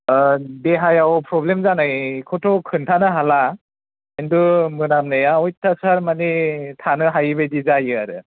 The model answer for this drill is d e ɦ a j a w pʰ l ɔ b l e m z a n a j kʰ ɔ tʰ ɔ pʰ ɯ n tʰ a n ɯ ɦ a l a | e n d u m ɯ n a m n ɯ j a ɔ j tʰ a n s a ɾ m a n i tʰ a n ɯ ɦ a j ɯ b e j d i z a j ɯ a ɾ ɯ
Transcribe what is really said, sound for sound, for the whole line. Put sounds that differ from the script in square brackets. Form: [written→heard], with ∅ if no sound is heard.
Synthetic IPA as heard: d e ɦ a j a w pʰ [l→ɾ] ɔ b l e m z a n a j kʰ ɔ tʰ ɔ [pʰ→kʰ] ɯ n tʰ a n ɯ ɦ a l a | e n d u m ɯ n a m n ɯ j a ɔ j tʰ a [n→∅] s a ɾ m a n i tʰ a n ɯ ɦ a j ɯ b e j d i z a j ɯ a ɾ ɯ